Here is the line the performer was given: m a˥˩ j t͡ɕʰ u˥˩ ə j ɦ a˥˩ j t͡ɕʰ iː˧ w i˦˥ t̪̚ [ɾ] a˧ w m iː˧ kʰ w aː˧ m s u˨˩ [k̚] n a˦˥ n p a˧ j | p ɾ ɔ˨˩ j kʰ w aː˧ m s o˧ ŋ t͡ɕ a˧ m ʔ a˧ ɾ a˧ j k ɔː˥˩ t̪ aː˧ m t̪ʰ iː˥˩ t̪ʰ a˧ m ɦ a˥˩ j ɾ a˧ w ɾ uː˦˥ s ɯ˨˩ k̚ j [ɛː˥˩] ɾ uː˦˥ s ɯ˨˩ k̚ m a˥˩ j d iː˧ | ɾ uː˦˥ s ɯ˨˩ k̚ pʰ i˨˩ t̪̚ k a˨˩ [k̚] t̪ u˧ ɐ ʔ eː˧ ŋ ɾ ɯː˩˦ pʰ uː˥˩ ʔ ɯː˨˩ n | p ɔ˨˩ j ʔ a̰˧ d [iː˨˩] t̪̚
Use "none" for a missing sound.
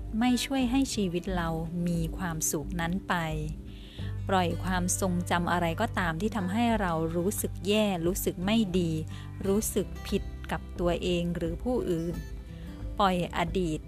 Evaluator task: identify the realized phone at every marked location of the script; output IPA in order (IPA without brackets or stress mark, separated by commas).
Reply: ɾ, k̚, ɛː˥˩, p̚, iː˨˩